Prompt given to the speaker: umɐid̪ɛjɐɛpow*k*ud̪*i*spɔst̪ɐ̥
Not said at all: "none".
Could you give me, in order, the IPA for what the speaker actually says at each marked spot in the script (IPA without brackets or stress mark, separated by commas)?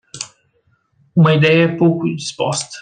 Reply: k, i